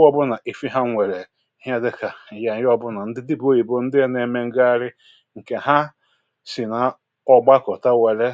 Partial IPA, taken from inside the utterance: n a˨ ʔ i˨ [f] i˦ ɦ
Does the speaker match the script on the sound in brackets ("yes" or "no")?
yes